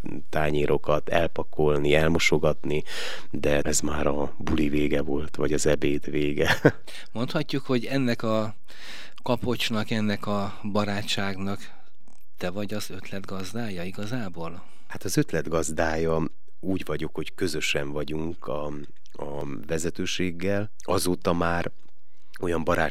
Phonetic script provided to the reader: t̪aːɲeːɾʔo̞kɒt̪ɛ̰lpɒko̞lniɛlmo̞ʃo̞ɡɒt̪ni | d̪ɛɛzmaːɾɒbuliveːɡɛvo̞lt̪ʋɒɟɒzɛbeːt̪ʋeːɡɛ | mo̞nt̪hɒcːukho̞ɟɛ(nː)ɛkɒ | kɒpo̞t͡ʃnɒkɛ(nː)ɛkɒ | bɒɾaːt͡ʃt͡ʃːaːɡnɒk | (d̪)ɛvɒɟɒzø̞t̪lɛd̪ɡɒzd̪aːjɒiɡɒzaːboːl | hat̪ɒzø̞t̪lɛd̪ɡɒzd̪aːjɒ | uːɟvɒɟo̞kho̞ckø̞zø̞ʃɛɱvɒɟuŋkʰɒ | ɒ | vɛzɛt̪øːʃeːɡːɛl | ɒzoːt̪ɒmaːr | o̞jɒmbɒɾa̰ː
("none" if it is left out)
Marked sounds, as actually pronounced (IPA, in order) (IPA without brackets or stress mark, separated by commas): nː, nː, t̪